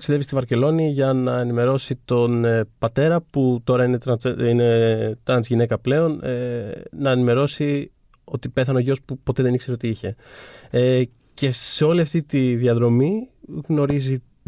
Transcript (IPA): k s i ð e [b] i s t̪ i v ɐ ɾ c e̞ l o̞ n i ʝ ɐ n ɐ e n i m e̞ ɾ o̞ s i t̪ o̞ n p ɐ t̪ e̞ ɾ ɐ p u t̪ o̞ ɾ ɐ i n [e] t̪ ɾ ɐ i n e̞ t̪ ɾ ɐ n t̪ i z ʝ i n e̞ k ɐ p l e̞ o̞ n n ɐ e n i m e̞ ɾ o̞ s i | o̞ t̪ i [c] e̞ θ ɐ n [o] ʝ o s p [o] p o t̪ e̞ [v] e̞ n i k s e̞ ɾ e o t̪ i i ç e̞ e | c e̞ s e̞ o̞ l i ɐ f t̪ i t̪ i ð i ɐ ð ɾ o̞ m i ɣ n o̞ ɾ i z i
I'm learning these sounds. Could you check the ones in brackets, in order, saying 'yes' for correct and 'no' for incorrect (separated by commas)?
no, yes, no, yes, no, no